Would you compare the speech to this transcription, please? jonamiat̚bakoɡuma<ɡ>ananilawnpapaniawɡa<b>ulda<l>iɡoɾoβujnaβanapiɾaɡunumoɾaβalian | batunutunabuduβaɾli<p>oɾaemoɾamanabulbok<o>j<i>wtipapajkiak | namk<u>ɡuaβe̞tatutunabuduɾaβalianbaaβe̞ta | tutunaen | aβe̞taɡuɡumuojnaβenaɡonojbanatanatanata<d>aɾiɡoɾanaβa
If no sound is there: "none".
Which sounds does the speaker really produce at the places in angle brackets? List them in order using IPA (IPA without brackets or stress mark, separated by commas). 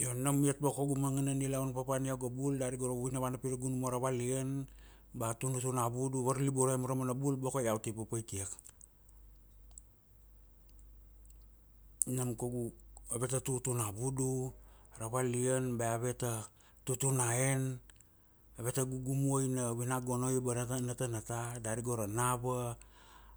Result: ŋ, b, ɾ, b, o, a, o, d